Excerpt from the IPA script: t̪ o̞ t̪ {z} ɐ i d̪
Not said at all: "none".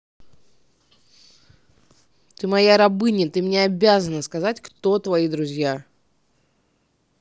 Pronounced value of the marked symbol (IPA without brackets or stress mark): v